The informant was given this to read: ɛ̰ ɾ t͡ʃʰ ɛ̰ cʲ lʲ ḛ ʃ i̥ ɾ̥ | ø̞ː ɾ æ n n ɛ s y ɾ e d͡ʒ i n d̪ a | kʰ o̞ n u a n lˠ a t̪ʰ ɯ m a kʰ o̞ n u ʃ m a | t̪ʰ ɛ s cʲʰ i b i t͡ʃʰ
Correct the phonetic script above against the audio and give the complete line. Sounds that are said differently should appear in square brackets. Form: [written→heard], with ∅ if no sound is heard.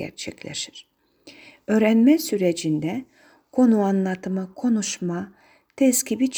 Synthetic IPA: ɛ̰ ɾ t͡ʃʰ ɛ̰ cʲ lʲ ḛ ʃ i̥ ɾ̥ | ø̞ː ɾ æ n [n→m] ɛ s y ɾ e d͡ʒ i n d̪ [a→ɛ] | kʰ o̞ n u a n lˠ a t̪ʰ ɯ m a kʰ o̞ n u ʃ m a | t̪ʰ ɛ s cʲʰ i b i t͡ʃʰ